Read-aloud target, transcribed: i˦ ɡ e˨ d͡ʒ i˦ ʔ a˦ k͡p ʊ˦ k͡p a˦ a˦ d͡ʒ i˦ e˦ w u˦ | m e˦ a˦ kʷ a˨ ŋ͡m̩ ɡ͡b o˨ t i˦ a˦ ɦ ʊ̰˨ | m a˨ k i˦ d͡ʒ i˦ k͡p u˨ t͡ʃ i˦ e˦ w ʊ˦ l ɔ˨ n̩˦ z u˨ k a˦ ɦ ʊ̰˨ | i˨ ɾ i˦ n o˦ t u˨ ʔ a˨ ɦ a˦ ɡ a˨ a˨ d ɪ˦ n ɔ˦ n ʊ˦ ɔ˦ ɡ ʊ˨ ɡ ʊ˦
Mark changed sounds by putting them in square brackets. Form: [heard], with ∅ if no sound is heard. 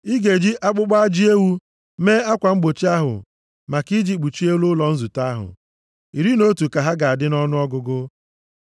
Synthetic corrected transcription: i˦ ɡ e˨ d͡ʒ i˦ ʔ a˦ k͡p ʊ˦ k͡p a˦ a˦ d͡ʒ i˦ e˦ w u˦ | m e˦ a˦ kʷ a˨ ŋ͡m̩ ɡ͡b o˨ [t͡ʃ] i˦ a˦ ɦ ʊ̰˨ | m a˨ k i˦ d͡ʒ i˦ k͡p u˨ t͡ʃ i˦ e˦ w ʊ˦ l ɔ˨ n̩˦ z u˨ [t] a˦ ɦ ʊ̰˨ | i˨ ɾ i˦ n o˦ t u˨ [k] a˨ ɦ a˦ ɡ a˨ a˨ d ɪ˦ n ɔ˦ n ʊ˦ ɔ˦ ɡ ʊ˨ ɡ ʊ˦